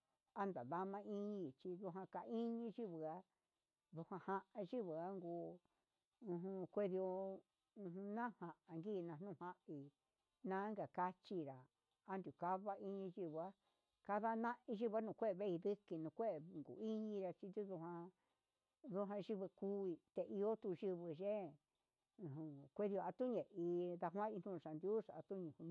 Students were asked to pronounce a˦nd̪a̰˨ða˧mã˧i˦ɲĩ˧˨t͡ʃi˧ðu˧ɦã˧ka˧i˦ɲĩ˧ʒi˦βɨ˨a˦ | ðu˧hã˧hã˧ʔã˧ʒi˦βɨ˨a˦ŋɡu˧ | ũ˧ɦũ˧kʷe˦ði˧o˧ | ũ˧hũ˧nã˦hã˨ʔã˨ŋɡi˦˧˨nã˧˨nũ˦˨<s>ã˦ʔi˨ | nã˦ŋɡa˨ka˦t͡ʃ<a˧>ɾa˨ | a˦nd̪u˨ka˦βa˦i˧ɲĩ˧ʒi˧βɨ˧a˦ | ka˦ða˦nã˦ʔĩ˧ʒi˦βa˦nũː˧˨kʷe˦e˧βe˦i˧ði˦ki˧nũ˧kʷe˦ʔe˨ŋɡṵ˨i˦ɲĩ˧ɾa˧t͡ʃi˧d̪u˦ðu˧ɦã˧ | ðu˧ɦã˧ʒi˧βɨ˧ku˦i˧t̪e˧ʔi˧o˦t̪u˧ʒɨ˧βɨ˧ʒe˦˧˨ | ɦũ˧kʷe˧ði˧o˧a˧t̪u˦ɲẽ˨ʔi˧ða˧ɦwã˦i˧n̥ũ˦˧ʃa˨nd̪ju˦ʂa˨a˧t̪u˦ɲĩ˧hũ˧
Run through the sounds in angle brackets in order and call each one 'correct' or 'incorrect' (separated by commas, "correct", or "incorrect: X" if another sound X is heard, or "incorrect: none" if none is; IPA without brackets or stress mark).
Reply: incorrect: h, incorrect: i˧